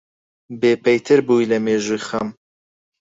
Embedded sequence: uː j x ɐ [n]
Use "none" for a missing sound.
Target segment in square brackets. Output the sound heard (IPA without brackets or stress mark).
m